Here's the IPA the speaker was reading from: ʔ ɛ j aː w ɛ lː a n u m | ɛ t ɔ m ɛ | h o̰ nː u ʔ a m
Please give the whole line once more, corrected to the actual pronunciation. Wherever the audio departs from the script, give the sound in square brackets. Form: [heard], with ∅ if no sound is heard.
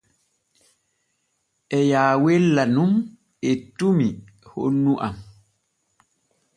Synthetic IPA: ʔ ɛ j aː w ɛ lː a n u m | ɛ t [u] m [i] | h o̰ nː u ʔ a m